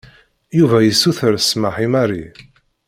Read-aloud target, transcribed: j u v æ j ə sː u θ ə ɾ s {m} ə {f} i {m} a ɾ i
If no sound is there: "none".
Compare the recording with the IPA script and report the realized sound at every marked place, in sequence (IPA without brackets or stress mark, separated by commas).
m, ħ, m